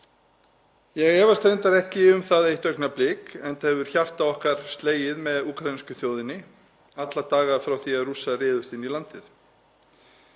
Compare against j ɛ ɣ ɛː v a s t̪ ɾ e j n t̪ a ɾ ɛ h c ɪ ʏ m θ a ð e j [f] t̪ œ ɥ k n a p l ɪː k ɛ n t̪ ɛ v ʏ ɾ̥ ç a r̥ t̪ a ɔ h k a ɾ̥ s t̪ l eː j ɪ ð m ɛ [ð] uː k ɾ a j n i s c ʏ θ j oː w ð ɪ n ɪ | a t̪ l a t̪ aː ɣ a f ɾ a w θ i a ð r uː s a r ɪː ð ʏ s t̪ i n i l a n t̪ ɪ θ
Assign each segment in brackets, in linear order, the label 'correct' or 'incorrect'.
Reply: incorrect, correct

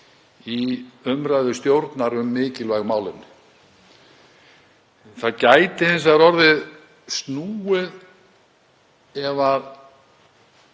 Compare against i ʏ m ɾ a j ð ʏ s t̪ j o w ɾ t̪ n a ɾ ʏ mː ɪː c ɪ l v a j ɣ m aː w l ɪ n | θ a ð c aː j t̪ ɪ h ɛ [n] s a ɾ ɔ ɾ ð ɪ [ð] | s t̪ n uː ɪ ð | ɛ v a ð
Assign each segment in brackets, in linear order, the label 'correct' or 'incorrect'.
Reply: correct, correct

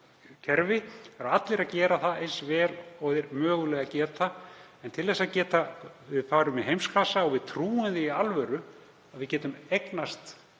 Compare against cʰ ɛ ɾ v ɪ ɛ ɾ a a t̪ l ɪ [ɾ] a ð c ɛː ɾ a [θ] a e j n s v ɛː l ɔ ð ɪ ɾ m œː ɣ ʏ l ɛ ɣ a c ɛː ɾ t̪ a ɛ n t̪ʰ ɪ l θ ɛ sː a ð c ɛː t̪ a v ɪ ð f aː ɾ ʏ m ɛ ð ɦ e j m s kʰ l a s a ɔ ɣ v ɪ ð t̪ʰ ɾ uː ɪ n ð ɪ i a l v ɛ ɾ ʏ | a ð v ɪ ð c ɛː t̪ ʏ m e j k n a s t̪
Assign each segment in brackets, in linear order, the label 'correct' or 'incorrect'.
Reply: correct, correct

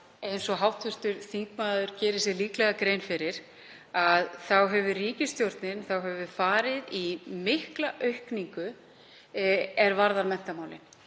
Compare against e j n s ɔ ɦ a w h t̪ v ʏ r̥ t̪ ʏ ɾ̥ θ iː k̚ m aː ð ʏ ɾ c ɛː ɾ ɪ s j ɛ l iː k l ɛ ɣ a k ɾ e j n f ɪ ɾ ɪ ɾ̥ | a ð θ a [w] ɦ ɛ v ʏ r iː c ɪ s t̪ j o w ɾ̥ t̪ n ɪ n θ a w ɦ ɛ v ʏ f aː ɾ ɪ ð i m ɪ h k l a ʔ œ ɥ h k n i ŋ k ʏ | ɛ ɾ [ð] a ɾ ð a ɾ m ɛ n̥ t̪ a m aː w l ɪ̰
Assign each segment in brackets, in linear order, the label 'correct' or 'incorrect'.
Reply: correct, incorrect

